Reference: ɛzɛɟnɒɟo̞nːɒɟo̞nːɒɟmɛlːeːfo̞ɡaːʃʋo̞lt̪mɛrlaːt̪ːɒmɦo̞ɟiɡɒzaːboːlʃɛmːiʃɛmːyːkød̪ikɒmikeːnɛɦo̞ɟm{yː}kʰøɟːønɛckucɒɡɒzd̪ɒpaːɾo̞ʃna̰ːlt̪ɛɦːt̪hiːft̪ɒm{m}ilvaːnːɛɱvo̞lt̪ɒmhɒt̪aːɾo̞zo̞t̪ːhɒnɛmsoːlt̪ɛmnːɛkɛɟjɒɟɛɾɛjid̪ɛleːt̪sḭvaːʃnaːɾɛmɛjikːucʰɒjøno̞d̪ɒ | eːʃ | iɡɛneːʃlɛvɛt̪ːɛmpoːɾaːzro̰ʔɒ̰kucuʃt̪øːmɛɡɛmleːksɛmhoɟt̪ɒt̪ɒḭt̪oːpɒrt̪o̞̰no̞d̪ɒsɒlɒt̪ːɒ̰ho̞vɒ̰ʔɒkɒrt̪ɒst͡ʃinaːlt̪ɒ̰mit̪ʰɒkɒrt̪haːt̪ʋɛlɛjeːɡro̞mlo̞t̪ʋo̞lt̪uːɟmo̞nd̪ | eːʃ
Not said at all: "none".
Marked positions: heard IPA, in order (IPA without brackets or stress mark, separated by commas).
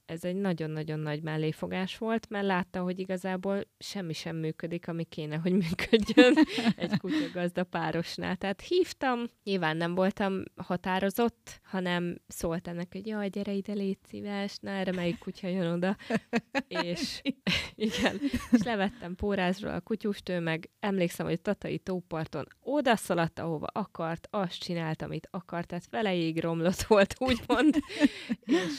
yː, ɲ